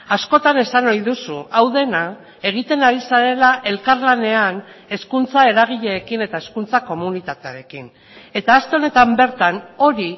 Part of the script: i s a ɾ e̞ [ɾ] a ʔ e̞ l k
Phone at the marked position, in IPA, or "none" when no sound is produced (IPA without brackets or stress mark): l